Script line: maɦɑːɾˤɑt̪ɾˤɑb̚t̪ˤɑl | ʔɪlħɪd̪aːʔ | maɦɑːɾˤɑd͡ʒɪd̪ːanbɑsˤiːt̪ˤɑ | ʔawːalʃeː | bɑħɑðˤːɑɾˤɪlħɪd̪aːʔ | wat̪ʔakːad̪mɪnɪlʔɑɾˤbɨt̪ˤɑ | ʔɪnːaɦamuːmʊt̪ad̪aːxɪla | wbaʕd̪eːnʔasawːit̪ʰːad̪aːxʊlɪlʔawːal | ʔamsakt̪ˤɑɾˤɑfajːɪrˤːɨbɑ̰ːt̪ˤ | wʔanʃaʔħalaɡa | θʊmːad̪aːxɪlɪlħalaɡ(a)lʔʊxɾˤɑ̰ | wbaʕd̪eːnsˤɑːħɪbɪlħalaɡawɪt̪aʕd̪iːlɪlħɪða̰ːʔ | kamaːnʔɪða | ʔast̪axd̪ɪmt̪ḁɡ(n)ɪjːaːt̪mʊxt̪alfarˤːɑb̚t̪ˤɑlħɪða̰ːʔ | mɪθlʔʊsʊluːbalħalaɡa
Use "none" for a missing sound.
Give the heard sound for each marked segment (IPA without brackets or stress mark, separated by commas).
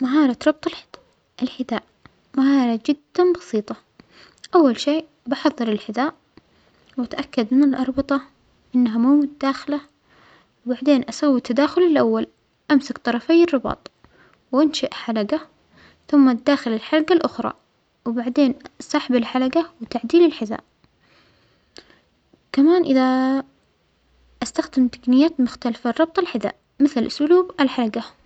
a, n